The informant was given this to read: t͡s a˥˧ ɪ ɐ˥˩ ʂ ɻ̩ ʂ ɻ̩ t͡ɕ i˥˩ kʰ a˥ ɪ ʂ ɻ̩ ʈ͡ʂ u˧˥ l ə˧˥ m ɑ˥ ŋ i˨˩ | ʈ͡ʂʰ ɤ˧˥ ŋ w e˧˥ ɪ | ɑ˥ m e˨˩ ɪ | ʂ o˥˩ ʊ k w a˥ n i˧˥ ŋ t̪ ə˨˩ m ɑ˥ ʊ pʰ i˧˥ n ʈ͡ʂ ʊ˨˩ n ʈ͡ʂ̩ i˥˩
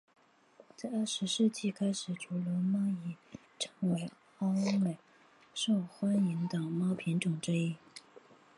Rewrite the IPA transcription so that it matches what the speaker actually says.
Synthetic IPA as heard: t͡s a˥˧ ɪ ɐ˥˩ ʂ ɻ̩ ʂ ɻ̩ t͡ɕ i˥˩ kʰ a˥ ɪ ʂ ɻ̩ ʈ͡ʂ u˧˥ l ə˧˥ m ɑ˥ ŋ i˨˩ | ʈ͡ʂʰ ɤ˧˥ ŋ w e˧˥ ɪ | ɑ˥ m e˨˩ ɪ | ʂ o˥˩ ʊ x w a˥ n i˧˥ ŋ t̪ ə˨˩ m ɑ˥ ʊ pʰ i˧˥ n ʈ͡ʂ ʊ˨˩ ŋ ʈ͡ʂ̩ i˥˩